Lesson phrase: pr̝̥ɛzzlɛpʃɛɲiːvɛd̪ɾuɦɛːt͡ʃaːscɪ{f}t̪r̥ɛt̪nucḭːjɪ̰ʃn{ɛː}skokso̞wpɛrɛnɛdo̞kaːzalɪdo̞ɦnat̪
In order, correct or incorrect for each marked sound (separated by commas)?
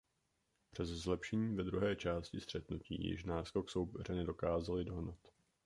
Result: incorrect, incorrect